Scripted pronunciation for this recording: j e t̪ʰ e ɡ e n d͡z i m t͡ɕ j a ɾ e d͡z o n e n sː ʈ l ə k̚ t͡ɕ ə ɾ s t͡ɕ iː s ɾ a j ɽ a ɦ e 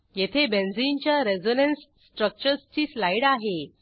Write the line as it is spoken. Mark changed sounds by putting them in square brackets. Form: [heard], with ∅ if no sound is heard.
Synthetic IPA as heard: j e t̪ʰ e [b] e n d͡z i [n] t͡ɕ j a ɾ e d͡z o n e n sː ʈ [ɾ] ə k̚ t͡ɕ ə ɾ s t͡ɕ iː s [l] a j ɽ a ɦ e